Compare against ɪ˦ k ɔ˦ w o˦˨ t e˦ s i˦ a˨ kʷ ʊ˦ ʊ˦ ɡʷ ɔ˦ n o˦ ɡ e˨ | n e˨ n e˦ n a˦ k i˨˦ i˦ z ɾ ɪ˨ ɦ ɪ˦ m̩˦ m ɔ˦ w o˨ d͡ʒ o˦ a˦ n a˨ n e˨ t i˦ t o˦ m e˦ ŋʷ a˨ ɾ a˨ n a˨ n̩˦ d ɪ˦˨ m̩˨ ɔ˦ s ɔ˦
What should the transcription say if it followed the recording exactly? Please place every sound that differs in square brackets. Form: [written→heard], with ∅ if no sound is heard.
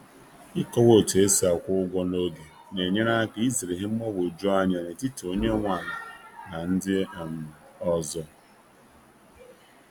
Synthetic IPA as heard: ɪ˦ k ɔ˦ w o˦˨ t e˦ s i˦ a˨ kʷ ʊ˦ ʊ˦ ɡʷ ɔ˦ n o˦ ɡ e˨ | n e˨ [n→ɲ] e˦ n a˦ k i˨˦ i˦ z ɾ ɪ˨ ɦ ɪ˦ m̩˦ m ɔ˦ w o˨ d͡ʒ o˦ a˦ [n→ɲ] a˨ n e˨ t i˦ t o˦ [m→ɲ] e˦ ŋʷ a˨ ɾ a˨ n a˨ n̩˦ d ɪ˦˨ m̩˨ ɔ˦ [s→z] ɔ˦